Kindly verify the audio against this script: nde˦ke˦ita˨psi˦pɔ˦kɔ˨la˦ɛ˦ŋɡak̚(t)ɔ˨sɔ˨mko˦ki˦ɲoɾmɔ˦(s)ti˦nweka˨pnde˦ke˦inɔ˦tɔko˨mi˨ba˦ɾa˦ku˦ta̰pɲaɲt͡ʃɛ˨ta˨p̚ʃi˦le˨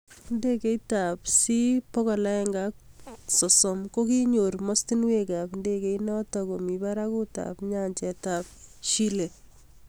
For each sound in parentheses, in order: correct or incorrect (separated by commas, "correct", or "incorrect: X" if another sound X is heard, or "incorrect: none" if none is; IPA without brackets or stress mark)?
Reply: incorrect: s, correct